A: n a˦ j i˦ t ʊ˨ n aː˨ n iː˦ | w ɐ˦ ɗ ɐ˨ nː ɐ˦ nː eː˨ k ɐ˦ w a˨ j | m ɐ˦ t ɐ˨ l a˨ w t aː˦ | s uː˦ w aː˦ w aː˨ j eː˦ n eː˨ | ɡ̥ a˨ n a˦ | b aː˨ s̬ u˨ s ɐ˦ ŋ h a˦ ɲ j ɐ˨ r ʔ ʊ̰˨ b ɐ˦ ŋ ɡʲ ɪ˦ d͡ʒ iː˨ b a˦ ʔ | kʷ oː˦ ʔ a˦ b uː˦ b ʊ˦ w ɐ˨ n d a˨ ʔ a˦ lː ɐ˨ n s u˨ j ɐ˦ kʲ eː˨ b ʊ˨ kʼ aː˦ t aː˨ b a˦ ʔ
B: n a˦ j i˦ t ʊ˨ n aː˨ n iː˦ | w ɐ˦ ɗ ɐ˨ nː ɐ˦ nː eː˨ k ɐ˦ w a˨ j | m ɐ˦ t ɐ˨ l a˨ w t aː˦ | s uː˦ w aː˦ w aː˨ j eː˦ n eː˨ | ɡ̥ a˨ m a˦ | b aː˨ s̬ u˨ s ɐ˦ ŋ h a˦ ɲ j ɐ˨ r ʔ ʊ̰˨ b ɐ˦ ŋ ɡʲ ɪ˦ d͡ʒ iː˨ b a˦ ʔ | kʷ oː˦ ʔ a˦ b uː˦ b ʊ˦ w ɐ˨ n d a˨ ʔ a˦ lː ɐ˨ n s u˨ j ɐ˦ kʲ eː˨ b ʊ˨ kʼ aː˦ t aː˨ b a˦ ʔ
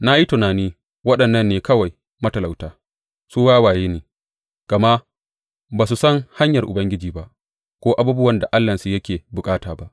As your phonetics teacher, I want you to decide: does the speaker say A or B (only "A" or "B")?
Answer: B